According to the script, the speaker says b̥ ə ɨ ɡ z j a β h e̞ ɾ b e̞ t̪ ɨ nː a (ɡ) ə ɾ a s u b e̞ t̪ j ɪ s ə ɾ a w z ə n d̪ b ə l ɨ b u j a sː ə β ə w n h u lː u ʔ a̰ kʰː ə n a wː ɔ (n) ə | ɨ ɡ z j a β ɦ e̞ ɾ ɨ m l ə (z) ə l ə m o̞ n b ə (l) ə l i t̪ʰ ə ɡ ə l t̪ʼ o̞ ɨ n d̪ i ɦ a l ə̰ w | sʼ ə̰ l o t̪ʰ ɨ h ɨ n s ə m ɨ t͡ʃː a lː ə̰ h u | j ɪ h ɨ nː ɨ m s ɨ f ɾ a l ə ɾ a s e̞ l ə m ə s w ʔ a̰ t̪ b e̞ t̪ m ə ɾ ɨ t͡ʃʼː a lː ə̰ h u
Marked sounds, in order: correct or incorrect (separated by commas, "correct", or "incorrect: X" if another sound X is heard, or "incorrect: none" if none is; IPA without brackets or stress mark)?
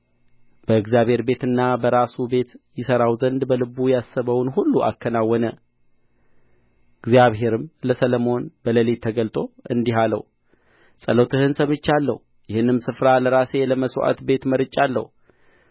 incorrect: b, correct, incorrect: s, correct